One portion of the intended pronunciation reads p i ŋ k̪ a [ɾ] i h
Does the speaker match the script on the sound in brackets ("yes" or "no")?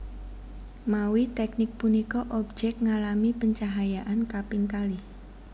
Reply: no